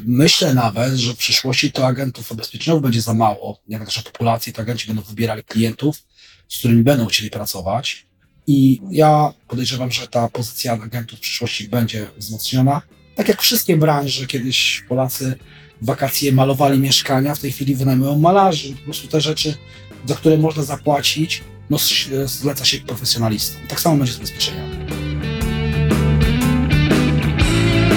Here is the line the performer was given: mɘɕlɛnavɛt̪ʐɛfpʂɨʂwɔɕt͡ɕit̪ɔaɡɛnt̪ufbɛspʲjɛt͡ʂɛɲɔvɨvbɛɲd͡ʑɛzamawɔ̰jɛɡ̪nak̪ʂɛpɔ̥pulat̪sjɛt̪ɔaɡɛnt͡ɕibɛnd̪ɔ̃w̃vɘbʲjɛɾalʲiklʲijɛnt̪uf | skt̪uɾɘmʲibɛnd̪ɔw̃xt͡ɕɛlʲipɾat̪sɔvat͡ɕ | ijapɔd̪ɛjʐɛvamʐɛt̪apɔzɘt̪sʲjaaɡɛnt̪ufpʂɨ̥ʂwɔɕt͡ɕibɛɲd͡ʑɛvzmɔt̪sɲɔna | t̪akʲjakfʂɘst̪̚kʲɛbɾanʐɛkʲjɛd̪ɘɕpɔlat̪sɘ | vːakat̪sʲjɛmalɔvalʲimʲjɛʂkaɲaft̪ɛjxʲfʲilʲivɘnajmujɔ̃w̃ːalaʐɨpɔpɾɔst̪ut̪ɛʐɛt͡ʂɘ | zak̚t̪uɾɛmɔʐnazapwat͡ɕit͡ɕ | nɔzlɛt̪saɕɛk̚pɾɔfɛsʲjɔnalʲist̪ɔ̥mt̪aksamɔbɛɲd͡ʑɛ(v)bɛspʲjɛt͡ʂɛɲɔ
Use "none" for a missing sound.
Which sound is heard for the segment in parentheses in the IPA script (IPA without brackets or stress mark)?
z